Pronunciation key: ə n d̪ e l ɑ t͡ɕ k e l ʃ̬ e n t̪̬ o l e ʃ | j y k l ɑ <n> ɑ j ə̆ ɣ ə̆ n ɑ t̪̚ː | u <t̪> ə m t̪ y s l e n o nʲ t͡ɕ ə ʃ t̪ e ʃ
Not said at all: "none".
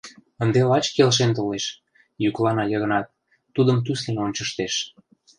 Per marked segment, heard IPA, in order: n, d̪

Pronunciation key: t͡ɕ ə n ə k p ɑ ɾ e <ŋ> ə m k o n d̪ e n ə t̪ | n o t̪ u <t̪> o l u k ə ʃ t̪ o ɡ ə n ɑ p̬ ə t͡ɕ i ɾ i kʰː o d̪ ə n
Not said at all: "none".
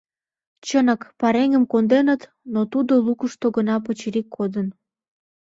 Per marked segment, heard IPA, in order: ŋ, d̪

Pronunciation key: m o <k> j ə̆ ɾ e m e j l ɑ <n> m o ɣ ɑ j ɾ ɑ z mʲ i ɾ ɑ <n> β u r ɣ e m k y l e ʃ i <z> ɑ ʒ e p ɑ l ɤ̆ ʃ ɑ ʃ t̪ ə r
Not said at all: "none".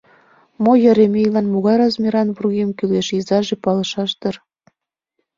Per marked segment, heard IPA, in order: none, n, n, z

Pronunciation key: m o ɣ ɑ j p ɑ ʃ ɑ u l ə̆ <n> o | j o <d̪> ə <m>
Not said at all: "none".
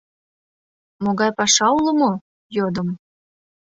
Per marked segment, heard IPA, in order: m, d̪, m

